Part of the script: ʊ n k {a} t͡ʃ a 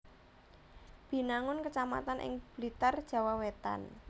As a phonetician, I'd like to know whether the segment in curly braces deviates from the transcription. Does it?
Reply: yes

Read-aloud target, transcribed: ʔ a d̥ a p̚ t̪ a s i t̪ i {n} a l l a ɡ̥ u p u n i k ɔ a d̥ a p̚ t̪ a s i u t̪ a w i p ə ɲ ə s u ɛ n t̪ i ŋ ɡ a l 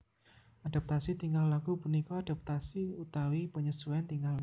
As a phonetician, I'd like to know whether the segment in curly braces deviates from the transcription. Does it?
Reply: yes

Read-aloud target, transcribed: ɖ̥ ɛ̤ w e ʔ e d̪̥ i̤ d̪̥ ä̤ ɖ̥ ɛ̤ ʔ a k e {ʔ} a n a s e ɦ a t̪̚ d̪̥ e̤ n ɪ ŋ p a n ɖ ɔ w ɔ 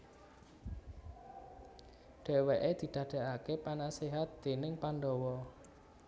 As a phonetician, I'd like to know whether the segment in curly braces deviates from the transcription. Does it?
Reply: yes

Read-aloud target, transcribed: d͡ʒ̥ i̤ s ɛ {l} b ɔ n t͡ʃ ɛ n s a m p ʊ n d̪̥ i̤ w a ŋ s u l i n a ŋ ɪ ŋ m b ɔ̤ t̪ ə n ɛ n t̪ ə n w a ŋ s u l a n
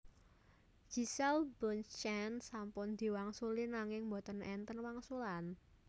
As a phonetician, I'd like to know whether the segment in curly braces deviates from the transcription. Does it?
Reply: no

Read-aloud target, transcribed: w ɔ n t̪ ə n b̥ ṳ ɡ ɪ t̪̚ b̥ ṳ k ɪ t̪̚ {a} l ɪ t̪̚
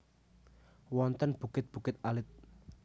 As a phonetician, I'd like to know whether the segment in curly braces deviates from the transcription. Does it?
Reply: no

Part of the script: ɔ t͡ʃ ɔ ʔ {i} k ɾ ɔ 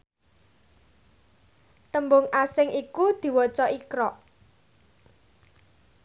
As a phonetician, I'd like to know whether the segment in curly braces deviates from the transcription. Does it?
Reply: no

